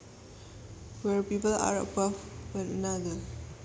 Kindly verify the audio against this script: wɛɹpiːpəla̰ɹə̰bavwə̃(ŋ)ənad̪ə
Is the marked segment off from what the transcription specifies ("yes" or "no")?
yes